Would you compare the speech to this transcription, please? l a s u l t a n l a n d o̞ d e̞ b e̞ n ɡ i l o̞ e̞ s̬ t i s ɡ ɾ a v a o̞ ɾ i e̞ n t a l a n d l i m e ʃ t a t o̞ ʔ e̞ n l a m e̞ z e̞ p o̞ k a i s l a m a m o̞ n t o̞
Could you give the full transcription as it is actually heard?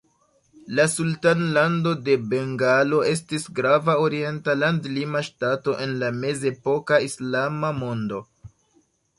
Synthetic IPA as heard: l a s u l t a n l a n d o̞ d e̞ b e̞ ŋ ɡ a l o̞ e̞ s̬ t i s ɡ ɾ a v a o̞ ɾ i e̞ n t a l a n d l i m a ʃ t a t o̞ ʔ e̞ n l a m e̞ z e̞ p o̞ k a i s l a m a m o̞ n d o̞